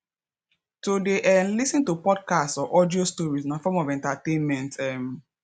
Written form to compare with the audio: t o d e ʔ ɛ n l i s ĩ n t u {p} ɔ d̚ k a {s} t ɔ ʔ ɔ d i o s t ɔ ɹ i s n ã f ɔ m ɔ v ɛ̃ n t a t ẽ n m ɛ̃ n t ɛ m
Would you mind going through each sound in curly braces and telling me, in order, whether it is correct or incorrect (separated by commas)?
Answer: correct, correct